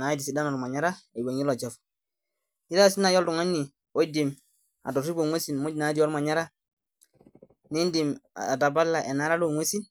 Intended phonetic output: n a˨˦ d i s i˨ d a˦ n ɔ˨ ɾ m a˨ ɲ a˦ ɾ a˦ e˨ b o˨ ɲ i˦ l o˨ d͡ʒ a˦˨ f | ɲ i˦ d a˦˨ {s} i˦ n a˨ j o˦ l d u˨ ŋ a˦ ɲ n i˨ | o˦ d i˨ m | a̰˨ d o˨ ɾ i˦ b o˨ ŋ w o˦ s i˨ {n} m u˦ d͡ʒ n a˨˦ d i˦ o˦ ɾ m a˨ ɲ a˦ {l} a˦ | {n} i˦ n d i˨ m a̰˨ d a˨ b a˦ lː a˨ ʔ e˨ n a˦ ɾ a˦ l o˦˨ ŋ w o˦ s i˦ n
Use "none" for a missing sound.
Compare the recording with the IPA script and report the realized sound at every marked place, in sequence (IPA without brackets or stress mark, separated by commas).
s, n, ɾ, n